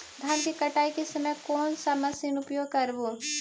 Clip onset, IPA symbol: d̪ʱ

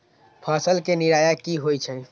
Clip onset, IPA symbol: pʰ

